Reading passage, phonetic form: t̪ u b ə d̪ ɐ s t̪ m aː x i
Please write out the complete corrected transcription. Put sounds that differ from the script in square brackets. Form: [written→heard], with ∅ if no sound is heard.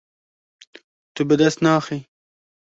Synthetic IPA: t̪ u b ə d̪ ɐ s t̪ [m→n] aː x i